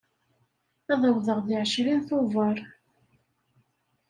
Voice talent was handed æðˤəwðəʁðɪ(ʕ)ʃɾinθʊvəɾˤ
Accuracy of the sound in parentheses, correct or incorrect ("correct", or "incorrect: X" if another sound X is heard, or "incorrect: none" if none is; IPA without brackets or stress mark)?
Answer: correct